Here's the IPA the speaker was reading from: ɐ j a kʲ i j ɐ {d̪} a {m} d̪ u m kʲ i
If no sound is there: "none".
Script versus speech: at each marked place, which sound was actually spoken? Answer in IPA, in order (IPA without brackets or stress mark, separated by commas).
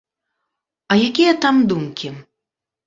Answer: t̪, m